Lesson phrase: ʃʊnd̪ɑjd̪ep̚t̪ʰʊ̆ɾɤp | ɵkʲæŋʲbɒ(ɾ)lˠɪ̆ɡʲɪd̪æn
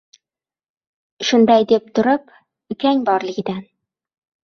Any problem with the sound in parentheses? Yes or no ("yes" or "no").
no